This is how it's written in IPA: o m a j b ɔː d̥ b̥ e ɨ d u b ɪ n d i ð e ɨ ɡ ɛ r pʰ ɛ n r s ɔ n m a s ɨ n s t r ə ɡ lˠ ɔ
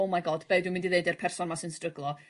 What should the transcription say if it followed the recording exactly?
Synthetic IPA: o m a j ɡ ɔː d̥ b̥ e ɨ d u m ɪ n d i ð e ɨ d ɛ r pʰ ɛ r s ɔ n m a s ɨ n s t r ə ɡ lˠ ɔ